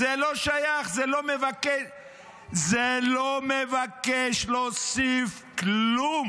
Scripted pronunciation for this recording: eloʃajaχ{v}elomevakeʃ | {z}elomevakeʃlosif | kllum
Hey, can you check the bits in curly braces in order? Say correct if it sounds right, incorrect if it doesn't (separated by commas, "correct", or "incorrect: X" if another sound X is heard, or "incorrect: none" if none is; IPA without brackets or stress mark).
incorrect: z, correct